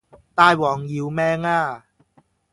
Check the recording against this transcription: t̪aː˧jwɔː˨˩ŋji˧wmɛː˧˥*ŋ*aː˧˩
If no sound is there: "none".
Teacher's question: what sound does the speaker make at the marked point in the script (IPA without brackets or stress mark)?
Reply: ŋ